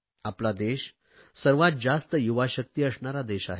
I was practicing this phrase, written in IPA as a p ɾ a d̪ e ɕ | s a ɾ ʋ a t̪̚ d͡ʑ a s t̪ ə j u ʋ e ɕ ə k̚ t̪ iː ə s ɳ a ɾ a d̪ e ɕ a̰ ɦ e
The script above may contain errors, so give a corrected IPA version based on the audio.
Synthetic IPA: a p l a d̪ e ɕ | s ə ɾ ʋ a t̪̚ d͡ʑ a s t̪ ə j u ʋ a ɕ ə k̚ t̪ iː ə s ɳ a ɾ a d̪ e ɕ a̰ ɦ e